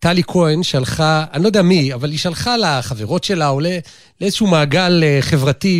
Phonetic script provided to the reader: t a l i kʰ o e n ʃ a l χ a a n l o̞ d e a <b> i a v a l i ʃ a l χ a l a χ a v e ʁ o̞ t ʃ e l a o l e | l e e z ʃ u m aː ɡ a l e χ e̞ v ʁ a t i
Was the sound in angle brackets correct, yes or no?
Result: no